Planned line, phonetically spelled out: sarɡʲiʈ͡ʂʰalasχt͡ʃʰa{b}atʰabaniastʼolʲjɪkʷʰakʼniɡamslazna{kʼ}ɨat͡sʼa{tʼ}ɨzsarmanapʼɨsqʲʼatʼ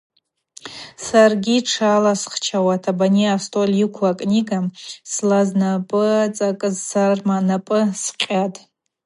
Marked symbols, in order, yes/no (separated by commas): no, no, no